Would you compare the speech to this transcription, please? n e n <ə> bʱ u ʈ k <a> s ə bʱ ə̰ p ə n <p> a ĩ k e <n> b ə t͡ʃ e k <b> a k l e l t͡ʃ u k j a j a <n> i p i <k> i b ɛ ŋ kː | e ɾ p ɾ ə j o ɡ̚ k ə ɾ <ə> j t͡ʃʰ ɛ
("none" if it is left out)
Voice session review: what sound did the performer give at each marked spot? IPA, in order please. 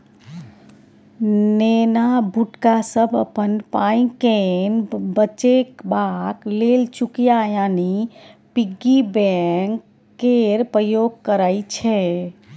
a, a, p, n, b, n, ɡ, a

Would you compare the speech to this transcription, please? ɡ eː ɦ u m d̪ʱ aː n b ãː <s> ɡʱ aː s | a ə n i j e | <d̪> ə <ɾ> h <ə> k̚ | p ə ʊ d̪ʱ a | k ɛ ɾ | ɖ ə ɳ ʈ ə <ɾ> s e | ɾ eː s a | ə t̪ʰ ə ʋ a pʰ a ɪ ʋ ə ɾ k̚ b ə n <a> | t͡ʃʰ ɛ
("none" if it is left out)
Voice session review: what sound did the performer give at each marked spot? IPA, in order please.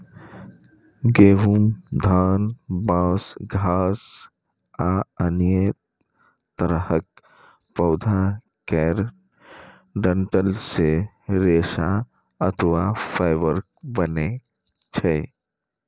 s, t̪, ɾ, ə, l, e

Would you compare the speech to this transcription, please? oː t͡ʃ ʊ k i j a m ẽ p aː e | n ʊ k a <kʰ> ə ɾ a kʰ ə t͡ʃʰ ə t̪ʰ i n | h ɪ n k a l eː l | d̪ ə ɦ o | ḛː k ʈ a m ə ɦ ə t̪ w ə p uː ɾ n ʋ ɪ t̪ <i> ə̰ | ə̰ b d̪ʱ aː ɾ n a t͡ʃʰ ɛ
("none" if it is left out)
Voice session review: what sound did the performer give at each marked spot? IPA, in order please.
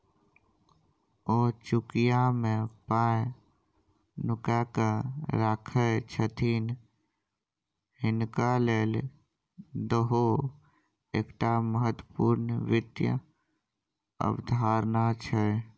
k, j

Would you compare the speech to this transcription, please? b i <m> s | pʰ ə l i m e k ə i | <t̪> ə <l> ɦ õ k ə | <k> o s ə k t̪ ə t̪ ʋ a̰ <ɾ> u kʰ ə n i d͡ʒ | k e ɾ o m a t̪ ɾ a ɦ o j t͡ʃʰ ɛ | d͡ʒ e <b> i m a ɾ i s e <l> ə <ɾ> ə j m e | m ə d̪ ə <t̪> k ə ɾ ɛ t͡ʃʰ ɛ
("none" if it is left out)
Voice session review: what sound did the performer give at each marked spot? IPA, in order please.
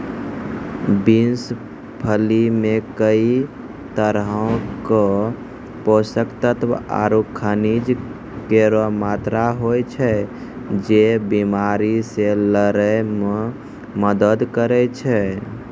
n, t̪, ɾ, p, ɾ, b, l, ɾ, d̪

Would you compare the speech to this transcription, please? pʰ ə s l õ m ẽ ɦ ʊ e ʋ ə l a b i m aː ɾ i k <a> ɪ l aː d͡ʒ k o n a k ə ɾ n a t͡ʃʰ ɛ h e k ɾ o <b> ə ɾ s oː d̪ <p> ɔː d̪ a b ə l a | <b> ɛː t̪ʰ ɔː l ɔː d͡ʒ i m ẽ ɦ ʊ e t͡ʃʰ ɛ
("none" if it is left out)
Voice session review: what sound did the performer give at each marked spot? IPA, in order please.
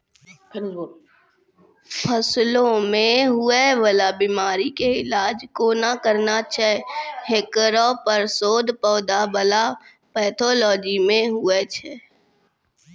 e, p, p, p

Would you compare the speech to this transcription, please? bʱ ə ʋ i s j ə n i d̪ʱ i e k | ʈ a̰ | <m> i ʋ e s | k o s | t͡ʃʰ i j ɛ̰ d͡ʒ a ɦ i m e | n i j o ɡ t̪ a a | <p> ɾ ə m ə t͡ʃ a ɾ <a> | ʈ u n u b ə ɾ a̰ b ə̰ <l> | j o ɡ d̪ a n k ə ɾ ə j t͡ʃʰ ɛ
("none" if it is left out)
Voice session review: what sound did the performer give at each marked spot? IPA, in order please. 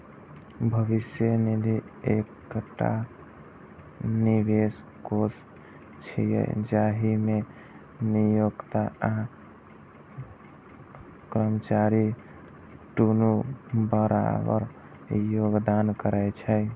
n, k, i, ɾ

